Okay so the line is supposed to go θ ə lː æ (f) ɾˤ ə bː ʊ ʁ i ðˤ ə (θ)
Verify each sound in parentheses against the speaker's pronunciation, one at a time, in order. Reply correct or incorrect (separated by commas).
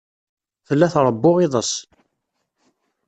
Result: incorrect, incorrect